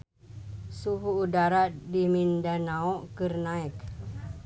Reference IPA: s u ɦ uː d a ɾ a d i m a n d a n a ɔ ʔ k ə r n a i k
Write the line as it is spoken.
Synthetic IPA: s u ɦ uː d a ɾ a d i m i n d a n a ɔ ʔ k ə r n a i k